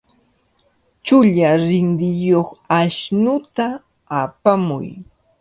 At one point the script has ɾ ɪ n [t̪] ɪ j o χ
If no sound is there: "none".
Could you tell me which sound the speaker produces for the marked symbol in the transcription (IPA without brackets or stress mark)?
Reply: d̪